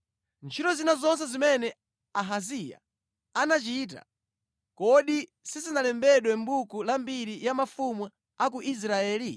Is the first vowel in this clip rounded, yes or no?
no